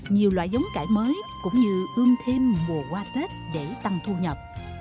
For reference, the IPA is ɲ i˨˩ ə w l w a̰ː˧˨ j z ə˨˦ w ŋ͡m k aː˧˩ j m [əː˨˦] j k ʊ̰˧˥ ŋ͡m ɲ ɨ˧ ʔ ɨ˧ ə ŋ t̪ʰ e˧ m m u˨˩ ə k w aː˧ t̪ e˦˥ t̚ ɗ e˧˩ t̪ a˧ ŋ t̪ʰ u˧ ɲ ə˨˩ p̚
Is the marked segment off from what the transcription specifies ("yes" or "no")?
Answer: no